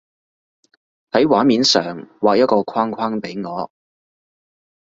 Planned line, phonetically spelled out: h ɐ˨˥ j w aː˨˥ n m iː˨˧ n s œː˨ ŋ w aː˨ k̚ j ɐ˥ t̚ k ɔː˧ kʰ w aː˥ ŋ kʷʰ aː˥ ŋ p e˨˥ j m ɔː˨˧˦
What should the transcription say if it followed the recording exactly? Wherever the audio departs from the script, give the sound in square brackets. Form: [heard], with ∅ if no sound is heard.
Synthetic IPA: h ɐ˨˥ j w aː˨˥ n m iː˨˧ n s œː˨ ŋ w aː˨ k̚ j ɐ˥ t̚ k ɔː˧ kʰ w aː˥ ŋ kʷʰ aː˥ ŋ p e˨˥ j [ŋ] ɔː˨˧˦